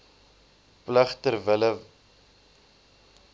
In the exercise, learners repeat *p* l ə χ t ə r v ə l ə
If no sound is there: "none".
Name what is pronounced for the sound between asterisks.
p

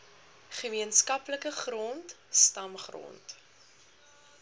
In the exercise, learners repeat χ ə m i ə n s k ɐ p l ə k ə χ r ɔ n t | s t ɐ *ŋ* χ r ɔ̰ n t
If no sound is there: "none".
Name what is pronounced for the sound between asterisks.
m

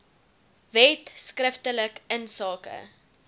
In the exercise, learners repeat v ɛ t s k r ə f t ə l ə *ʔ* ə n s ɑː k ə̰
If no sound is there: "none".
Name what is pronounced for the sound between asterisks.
k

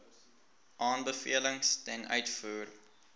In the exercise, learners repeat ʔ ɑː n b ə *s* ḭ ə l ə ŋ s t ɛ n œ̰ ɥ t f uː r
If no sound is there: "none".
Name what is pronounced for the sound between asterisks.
f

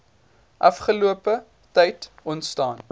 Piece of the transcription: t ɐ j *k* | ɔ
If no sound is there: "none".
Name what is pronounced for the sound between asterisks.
t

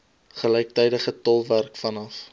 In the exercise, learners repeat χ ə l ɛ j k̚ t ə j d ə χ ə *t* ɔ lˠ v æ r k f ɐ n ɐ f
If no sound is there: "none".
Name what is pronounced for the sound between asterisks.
t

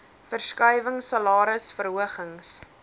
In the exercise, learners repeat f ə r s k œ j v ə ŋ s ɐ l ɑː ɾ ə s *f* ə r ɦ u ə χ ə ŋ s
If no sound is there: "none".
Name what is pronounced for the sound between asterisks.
f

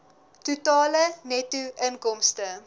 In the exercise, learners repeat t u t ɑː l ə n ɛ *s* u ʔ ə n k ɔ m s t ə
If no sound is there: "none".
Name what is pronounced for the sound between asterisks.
t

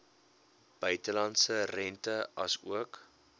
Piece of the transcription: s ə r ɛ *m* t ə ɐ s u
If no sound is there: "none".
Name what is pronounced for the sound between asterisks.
n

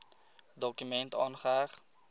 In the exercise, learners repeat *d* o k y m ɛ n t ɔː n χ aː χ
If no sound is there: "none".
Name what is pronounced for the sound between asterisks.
d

